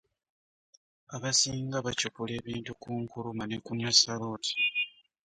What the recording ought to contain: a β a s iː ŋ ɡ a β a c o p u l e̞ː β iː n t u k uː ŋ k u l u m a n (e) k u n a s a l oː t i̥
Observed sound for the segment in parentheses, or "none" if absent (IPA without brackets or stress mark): e